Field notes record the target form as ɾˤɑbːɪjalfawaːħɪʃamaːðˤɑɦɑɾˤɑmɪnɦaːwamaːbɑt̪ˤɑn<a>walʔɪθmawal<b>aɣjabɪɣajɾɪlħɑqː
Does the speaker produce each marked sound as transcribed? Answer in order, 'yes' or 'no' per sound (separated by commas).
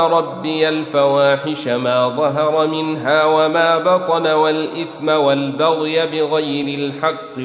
yes, yes